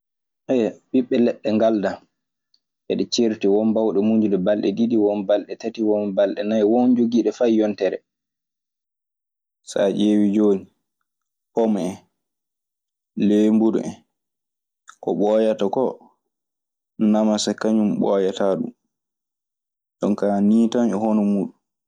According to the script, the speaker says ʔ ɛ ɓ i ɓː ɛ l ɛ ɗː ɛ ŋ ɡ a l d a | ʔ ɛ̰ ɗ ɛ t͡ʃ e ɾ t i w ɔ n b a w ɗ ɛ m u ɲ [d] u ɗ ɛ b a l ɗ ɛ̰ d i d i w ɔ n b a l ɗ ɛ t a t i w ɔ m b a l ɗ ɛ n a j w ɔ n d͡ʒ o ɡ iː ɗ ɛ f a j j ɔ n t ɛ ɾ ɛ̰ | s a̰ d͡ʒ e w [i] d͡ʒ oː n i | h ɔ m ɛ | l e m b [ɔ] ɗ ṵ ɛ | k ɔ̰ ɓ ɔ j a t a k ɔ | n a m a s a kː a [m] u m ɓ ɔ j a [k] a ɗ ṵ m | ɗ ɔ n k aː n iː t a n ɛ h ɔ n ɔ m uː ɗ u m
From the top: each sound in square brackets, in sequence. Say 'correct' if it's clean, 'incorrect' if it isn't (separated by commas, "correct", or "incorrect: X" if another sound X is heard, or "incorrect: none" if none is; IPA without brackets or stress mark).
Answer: incorrect: d͡ʒ, correct, incorrect: u, incorrect: ɲ, incorrect: t